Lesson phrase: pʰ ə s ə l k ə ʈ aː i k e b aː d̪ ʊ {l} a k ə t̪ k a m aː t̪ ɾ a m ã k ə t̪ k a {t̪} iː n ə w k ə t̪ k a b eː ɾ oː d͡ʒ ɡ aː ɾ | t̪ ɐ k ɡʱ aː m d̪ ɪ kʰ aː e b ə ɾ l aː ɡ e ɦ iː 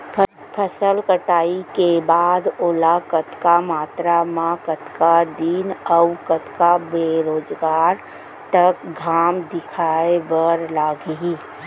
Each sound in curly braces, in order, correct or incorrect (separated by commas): correct, incorrect